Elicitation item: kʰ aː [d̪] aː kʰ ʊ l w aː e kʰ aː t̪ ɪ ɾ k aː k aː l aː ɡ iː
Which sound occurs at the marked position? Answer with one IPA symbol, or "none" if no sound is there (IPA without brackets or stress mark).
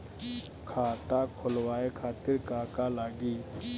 t̪